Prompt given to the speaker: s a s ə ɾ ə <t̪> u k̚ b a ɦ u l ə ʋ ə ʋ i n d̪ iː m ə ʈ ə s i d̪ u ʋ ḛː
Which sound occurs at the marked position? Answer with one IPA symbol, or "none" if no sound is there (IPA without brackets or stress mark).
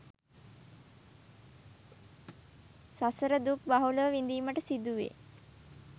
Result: d̪